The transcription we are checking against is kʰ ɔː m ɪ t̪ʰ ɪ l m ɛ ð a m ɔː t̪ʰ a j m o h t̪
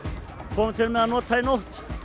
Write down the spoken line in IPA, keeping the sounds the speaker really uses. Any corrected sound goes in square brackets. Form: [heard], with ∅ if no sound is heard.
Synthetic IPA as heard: kʰ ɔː m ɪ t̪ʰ ɪ l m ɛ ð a [n] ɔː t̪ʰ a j [n] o h t̪